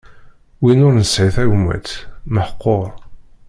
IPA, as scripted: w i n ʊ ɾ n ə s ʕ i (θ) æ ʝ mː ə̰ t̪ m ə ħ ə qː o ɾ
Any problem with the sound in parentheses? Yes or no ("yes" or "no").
no